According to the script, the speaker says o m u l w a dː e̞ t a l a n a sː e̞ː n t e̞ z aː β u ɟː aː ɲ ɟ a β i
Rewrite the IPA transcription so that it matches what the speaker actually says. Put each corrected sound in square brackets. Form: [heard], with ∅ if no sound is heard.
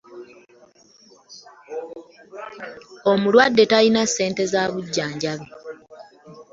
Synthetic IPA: o m u l w a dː e̞ t a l [i] n a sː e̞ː n t e̞ z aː β u ɟː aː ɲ ɟ a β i